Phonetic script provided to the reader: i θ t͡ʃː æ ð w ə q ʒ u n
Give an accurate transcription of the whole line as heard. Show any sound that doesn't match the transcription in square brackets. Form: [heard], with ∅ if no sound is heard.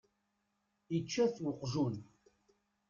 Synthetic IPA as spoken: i [∅] t͡ʃː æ [θ] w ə q ʒ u n